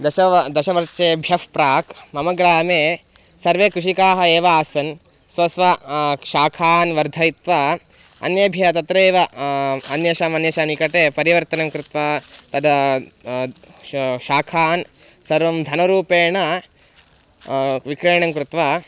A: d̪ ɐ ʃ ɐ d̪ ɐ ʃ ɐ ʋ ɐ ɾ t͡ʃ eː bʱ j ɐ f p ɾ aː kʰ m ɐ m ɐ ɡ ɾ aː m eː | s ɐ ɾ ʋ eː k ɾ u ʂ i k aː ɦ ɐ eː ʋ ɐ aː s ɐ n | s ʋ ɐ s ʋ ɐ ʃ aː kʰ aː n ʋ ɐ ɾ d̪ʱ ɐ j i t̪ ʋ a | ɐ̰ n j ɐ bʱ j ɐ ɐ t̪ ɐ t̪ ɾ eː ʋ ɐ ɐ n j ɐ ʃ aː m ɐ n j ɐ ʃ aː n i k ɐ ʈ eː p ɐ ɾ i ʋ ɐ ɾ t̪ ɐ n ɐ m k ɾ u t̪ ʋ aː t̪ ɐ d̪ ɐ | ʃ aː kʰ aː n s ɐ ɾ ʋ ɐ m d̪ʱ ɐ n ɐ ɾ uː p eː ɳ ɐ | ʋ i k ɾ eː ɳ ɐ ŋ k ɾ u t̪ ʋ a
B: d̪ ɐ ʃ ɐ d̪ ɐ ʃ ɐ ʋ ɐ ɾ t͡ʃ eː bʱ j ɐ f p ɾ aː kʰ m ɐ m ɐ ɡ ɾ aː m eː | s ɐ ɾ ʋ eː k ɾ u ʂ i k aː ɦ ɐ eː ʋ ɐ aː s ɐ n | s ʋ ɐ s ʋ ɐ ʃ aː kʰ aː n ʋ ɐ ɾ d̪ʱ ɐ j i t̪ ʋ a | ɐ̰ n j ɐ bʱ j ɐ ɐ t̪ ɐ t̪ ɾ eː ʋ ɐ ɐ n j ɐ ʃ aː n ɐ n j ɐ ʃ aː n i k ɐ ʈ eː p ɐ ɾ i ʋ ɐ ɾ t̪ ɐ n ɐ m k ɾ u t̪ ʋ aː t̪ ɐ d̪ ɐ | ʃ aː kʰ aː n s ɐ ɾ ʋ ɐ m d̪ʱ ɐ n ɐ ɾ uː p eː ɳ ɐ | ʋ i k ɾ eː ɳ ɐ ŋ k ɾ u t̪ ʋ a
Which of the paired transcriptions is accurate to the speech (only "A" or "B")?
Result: A